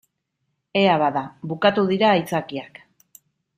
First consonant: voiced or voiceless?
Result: voiced